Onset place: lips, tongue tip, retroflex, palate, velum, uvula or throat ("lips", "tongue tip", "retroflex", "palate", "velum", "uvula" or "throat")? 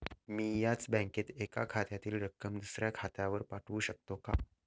lips